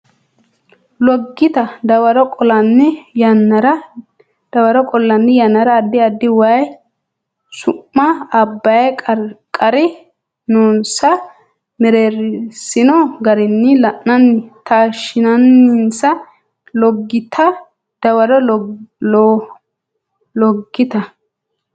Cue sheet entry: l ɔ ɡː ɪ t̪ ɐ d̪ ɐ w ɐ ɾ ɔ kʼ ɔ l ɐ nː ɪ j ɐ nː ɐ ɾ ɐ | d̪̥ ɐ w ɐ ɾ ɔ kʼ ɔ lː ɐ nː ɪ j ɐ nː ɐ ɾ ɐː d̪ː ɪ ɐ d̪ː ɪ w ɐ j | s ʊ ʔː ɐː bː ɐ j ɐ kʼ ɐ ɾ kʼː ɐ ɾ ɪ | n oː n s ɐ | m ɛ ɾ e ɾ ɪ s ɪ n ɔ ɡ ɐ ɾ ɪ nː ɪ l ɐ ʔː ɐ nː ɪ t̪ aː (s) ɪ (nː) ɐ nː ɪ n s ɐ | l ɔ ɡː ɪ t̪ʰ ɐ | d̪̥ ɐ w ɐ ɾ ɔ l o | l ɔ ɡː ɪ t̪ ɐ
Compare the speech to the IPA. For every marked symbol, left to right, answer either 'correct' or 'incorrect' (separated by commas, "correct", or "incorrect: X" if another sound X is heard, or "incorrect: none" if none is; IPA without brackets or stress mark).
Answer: incorrect: ʃ, incorrect: n